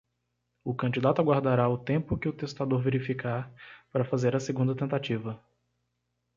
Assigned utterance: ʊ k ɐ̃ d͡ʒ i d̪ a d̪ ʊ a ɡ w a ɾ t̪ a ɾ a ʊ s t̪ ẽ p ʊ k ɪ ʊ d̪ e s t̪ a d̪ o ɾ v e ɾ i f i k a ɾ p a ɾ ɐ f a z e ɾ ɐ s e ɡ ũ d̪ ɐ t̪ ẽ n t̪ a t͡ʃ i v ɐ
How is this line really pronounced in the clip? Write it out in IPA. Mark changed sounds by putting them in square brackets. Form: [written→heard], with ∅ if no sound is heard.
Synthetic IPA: ʊ k ɐ̃ d͡ʒ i d̪ a [d̪→t̪] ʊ a ɡ w a ɾ [t̪→d̪] a ɾ a ʊ [s→∅] t̪ ẽ p ʊ k ɪ ʊ [d̪→t̪] e s t̪ a d̪ o ɾ v e ɾ i f i k a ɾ p a ɾ ɐ f a z e ɾ ɐ s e ɡ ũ d̪ ɐ t̪ ẽ n t̪ a t͡ʃ i v ɐ